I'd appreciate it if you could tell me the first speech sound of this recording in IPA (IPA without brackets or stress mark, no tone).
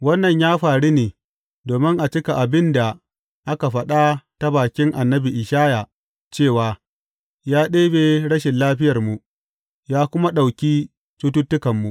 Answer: w